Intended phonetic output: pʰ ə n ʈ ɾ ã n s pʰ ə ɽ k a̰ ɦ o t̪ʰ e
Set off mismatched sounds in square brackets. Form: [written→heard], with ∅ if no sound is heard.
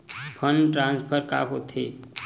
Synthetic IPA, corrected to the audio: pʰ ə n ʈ ɾ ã n s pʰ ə [ɽ→ɾ] k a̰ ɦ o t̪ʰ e